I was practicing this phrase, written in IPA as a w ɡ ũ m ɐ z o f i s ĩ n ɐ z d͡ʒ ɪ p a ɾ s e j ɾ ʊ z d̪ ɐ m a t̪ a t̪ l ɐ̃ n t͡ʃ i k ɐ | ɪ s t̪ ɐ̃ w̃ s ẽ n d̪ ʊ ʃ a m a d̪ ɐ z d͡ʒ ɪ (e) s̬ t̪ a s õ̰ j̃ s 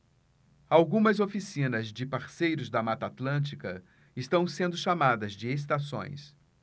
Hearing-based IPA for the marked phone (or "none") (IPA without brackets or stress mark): e